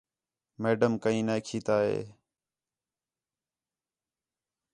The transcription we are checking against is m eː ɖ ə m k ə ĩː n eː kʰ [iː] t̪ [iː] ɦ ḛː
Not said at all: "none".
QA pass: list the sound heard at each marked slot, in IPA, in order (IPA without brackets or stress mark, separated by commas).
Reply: iː, aː